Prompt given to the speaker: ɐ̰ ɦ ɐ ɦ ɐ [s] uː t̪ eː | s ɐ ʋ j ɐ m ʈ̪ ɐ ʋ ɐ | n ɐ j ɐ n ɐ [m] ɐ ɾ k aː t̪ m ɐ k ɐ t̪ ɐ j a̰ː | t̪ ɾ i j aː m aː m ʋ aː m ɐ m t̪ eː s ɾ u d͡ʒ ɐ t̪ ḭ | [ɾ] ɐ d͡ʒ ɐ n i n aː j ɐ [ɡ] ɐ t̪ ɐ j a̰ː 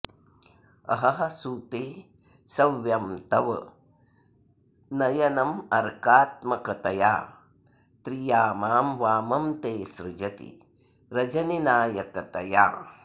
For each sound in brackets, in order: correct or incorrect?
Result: correct, correct, correct, incorrect: k

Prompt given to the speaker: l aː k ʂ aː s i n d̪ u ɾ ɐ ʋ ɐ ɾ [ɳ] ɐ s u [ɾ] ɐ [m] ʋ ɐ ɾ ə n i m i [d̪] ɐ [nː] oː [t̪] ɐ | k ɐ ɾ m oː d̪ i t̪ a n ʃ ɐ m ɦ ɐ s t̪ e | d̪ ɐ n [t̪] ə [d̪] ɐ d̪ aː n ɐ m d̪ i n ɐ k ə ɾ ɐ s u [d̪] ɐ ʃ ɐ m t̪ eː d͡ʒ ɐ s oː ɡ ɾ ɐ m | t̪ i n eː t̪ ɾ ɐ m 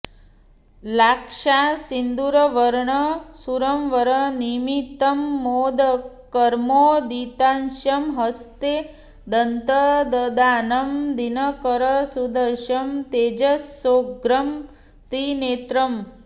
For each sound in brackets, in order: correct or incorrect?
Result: correct, correct, correct, incorrect: t̪, incorrect: mː, incorrect: d̪, correct, correct, correct

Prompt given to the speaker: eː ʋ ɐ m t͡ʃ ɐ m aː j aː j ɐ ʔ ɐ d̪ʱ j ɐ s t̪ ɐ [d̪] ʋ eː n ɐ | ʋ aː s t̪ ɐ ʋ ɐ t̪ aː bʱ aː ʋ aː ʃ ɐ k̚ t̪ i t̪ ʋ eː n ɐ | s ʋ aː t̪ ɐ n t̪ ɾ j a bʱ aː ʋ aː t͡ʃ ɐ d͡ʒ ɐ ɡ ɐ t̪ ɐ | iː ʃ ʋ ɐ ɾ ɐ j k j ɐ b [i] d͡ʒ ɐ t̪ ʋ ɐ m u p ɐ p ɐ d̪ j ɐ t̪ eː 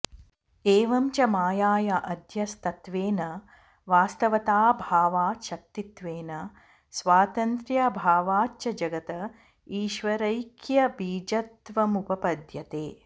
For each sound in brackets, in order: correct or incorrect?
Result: incorrect: t̪, incorrect: iː

